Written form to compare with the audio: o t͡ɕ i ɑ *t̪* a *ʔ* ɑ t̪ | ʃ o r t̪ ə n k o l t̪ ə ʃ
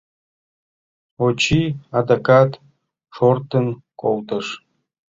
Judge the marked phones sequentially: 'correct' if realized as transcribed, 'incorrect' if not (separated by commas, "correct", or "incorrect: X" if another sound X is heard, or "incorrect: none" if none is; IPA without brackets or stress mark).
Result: incorrect: d̪, incorrect: k